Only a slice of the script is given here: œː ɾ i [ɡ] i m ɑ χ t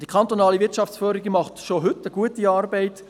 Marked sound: correct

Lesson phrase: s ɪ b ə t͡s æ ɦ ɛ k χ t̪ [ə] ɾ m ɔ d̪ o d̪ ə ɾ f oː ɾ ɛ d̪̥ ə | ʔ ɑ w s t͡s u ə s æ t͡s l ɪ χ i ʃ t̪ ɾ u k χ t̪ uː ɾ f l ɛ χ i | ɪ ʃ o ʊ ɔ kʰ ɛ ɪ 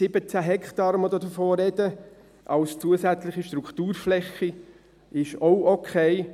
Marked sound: incorrect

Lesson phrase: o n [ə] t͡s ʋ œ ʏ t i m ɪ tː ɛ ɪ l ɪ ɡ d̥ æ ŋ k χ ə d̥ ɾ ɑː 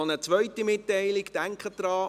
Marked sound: correct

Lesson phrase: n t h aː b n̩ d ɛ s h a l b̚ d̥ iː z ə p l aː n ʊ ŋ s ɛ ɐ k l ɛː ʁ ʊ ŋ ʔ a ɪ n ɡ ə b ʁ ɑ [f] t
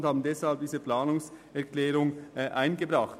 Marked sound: incorrect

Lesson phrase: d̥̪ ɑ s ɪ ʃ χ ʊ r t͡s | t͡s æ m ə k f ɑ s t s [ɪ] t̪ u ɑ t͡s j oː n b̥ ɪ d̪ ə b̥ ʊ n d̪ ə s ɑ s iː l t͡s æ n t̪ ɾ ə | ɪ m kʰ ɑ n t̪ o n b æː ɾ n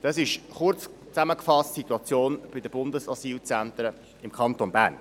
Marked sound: incorrect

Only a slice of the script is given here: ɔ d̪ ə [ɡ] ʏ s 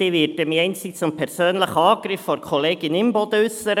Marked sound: incorrect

